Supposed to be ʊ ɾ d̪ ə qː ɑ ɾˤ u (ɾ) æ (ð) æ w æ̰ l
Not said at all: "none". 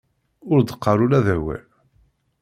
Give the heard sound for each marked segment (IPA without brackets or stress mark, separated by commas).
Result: l, ð